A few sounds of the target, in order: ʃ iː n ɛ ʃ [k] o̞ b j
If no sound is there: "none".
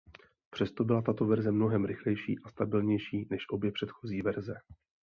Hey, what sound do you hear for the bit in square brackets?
ʔ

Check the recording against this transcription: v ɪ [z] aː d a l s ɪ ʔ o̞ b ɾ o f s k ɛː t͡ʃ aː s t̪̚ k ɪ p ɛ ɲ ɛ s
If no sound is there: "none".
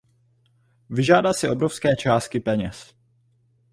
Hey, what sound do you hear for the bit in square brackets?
ʒ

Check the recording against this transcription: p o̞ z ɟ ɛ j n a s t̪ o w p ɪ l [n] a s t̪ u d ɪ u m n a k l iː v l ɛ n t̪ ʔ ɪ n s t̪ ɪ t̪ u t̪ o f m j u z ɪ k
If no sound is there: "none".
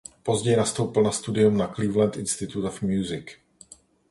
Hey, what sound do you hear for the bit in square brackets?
n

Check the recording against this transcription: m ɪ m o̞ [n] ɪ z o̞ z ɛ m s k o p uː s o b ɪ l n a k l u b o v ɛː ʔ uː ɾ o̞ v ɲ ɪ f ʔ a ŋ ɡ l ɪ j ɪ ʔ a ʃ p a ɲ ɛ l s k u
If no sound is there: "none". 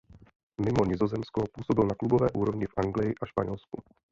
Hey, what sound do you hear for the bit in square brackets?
ɲ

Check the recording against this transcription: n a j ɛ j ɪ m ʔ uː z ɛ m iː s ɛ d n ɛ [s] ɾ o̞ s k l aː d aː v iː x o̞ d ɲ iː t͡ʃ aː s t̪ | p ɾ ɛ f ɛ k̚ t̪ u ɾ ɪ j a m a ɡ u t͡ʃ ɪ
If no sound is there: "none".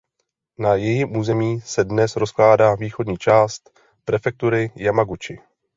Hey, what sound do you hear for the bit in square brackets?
s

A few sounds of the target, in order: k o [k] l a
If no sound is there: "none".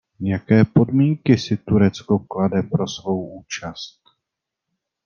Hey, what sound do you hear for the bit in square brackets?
k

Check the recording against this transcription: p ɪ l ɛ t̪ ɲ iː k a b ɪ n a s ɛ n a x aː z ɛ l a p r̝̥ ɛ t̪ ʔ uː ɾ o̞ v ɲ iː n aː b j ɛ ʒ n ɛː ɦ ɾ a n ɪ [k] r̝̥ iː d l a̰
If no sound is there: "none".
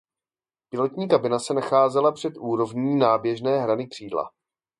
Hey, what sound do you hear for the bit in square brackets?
k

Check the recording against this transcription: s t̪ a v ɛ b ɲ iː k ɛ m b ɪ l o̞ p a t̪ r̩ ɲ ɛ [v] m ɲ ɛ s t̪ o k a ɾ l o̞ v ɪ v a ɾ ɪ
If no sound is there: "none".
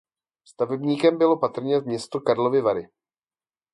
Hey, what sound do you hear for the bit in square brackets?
v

